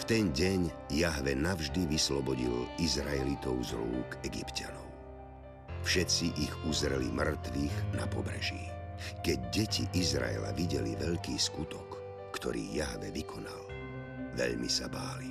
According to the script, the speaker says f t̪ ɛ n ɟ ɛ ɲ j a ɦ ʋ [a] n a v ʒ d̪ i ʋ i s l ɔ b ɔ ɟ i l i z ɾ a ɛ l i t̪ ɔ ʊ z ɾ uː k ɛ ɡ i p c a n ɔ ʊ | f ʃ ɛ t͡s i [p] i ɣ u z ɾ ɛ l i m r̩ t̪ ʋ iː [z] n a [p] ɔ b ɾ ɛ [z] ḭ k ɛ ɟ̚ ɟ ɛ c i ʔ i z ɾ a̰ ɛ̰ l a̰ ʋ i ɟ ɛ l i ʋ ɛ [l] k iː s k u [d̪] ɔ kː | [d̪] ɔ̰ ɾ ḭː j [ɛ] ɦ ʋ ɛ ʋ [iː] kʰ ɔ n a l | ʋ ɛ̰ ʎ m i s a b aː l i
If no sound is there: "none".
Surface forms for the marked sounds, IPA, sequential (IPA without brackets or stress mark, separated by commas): ɛ, ʔ, ɣ, p, ʒ, ʎ, t̪, t̪, a, i